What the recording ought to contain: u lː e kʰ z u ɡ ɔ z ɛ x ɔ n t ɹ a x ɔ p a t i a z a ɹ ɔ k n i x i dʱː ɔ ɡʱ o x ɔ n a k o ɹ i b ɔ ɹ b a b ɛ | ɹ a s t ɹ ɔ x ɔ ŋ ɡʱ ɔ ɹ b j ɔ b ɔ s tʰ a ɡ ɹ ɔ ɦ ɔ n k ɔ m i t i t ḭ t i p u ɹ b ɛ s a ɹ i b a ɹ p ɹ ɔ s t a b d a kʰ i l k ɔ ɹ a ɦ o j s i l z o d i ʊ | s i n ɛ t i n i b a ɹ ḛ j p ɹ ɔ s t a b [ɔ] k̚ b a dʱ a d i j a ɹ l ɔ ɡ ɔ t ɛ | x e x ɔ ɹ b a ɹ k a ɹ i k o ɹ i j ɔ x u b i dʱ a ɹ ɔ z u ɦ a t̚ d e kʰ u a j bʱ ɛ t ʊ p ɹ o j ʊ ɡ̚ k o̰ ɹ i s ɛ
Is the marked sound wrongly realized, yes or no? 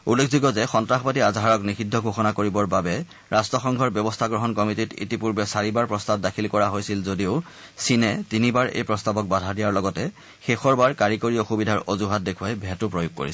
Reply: no